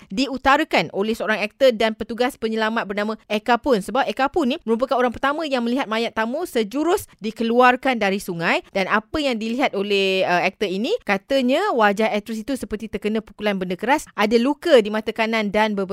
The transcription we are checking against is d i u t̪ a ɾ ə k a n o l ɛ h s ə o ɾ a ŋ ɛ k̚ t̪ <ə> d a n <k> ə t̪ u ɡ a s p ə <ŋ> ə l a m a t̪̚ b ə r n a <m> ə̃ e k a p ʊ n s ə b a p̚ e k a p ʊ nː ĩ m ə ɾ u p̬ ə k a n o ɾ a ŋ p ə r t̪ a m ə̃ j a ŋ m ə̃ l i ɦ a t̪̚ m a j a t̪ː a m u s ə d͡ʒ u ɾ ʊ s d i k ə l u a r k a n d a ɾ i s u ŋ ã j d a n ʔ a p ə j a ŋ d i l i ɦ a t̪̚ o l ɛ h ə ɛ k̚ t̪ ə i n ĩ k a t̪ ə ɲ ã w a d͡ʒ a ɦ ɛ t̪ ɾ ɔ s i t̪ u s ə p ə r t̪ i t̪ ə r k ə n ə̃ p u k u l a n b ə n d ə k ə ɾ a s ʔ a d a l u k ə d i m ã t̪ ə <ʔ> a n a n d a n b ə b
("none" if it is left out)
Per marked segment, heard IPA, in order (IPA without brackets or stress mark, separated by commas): ə, p, ɲ, m, k